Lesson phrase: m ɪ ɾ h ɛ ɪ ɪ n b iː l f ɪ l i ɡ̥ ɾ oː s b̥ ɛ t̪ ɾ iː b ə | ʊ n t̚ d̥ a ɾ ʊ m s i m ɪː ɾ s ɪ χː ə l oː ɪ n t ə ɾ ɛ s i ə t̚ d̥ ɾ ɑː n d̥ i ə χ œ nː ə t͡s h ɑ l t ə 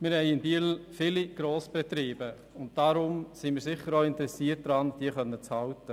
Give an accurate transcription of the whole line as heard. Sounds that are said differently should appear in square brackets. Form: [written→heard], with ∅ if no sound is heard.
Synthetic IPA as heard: m ɪ ɾ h ɛ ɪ ɪ n b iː l f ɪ l i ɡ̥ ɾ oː s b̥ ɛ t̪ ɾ iː b ə | ʊ n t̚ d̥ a ɾ ʊ m s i m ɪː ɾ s ɪ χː ə [l→ɾ] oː ɪ n t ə ɾ ɛ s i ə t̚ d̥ ɾ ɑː n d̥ i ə χ œ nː ə t͡s h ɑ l t ə